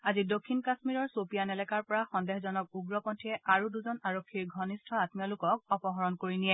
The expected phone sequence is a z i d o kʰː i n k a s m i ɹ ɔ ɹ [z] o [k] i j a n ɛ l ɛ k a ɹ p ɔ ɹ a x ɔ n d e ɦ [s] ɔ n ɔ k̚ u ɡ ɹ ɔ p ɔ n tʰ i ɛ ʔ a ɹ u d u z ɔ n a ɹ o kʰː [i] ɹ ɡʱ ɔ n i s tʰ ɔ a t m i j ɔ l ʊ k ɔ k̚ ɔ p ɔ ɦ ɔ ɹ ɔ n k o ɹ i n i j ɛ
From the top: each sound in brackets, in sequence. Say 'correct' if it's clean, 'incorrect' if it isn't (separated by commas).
incorrect, incorrect, incorrect, correct